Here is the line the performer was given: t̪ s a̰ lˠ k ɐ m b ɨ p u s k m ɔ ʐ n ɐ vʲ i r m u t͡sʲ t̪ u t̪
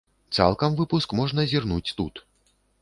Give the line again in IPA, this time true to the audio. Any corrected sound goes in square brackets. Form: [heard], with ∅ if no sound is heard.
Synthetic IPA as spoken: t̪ s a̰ lˠ k ɐ m [v] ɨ p u s k m ɔ ʐ n ɐ [zʲ] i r [n] u t͡sʲ t̪ u t̪